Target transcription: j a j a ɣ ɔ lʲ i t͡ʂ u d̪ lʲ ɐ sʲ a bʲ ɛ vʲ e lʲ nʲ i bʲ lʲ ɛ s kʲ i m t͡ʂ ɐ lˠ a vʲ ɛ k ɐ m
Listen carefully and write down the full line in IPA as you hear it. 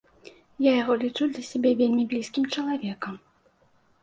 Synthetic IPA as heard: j a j a ɣ ɔ lʲ i t͡ʂ u d̪ lʲ ɐ sʲ a bʲ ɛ vʲ e lʲ mʲ i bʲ lʲ i s kʲ i m t͡ʂ ɐ lˠ a vʲ ɛ k ɐ m